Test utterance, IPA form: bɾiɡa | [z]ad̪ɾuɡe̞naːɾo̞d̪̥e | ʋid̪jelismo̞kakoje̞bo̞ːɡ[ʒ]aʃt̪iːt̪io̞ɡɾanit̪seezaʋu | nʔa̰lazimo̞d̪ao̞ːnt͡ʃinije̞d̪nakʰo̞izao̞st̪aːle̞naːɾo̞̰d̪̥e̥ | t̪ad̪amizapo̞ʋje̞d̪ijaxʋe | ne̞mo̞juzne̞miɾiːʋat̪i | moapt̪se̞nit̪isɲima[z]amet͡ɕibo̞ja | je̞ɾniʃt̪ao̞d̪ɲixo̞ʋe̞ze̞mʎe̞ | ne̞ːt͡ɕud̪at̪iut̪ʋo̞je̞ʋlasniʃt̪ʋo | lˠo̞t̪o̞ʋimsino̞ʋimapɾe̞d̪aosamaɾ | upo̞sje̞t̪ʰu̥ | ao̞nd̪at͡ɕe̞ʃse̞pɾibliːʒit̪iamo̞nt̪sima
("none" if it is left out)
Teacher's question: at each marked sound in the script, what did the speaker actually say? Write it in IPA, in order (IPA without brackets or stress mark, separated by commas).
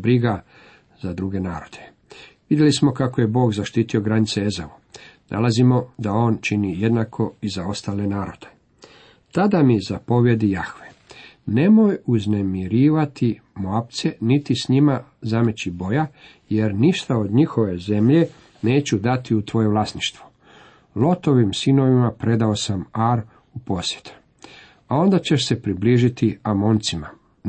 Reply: z, z, z